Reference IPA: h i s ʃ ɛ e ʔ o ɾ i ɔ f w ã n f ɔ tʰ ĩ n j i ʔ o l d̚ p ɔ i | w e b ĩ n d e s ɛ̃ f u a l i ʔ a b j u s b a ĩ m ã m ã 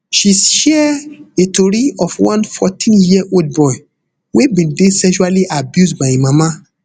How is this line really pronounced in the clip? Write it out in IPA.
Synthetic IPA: ʃ i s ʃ ɛ e t o ɾ i ɔ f w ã n f ɔ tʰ ĩ n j i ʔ o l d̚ b ɔ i | w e b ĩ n d e s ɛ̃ ʃ u a l i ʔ a b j u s b a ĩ m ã m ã

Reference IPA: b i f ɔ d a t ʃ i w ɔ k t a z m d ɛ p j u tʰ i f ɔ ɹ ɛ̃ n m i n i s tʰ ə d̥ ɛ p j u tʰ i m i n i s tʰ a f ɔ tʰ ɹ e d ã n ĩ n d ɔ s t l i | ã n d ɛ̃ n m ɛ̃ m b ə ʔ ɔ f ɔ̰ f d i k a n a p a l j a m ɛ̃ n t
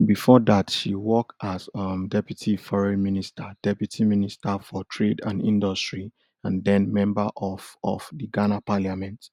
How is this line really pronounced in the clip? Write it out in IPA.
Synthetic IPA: b i f ɔ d a t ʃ i w ɔ k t a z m d ɛ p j u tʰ i f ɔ ɹ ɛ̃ n m i n i s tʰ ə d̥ ɛ p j u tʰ i m i n i s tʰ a f ɔ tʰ ɹ e d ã n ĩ n d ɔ s t ɹ i | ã n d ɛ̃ n m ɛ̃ m b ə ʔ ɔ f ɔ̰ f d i ɡ a n a p a l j a m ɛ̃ n t

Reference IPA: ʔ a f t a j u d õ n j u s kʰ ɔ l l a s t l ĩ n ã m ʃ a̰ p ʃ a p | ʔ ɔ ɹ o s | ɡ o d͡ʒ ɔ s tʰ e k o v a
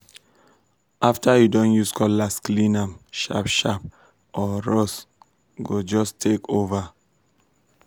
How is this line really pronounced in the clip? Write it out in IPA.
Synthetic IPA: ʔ a f t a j u d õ n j u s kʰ ɔ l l a s k l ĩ n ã m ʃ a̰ p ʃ a p | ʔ ɔ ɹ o s | ɡ o d͡ʒ ɔ s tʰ e k o v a

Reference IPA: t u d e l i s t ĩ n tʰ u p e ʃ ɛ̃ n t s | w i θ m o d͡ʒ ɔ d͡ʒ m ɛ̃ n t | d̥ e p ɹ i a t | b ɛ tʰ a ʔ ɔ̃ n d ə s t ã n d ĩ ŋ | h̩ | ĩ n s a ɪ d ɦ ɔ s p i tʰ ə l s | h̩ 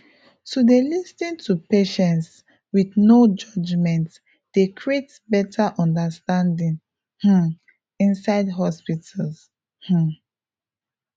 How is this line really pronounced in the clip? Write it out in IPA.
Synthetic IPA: t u d e l i s t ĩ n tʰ u p e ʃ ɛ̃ n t s | w i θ n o d͡ʒ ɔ d͡ʒ m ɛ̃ n t | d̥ e k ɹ i e t | b ɛ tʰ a ʔ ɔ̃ n d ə s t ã n d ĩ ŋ | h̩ | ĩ n s a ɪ d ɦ ɔ s p i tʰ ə l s | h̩

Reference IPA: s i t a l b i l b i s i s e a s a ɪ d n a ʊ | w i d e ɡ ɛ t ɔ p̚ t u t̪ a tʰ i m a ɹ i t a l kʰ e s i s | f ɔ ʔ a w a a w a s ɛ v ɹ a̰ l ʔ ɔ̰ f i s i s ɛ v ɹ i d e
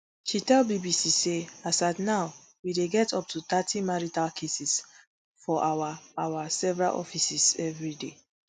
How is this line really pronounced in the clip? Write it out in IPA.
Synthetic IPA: ʃ i t ɛ l b i b i s i s e a s a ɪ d n a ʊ | w i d e ɡ ɛ t ɔ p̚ t u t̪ a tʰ i m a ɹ i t a l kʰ e s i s | f ɔ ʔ a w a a w a s ɛ v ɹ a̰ l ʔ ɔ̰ f i s i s ɛ v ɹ i d e

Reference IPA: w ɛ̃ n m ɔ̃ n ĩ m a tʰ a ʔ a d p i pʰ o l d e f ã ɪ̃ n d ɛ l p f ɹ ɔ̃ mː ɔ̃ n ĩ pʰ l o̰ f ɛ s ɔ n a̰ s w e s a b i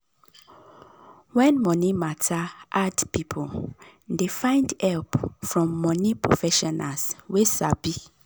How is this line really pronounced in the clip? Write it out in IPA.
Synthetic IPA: w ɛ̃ n m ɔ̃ n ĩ m a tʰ a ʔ a d p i pʰ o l d e f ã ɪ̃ n d ɛ l p f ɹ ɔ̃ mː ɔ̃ n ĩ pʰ ɹ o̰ f ɛ ʃ ɔ n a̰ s w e s a b i

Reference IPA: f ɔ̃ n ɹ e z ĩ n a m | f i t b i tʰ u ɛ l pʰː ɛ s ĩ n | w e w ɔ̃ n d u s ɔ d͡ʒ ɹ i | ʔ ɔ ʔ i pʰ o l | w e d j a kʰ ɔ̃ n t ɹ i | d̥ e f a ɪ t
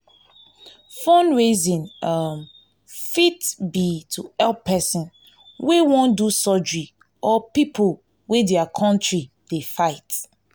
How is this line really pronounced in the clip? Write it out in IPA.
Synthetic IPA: f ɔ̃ n ɹ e z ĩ n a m | f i t b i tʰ u ɛ l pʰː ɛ s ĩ n | w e w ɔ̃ n d u s ɔ d͡ʒ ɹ i | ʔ ɔ p i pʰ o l | w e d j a kʰ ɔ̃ n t ɹ i | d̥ e f a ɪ t

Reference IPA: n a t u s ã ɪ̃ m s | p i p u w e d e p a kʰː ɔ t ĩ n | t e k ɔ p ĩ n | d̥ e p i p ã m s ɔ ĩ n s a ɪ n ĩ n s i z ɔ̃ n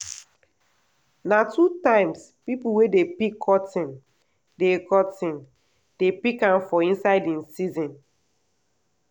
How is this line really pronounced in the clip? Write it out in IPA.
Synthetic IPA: n a t u t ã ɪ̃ m s | p i p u w e d e p i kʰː ɔ t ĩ n | d e k ɔ t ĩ n | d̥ e p i k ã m f ɔ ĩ n s a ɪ d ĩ n s i z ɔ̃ n

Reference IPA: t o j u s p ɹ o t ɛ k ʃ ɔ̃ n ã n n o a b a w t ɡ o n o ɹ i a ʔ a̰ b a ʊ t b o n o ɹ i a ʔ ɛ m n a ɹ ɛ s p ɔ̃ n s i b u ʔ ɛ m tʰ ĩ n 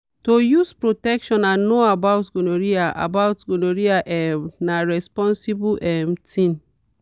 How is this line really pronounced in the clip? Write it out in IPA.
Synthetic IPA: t o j u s p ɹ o t ɛ k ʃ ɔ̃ n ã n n o a b a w t ɡ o n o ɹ i a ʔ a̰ b a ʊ t ɡ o n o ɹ i a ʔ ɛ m n a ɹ ɛ s p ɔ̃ n s i b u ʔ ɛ m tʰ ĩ n

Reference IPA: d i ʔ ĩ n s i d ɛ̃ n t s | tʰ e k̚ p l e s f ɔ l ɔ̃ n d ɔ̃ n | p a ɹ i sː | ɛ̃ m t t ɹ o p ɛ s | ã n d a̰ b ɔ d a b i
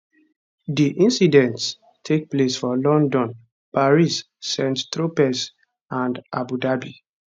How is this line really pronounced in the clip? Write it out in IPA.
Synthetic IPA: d i ʔ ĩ n s i d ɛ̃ n t s | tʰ e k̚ p l e s f ɔ l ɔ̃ n d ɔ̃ n | p a ɹ i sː | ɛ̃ n t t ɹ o p ɛ s | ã n d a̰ b u d a b i

